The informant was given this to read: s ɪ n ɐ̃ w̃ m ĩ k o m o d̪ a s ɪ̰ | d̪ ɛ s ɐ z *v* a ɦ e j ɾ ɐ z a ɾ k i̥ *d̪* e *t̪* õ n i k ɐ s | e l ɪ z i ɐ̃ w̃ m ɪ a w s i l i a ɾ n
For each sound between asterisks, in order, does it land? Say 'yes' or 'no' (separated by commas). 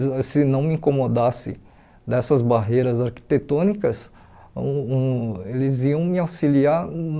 no, no, yes